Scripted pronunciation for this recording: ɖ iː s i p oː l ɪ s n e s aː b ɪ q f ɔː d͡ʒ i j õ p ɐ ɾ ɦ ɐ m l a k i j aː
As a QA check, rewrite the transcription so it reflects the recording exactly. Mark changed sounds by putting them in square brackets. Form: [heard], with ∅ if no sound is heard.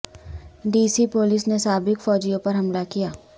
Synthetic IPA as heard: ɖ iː s i p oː l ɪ s n e s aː b ɪ [k] f ɔː d͡ʒ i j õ p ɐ ɾ ɦ ɐ m l a k i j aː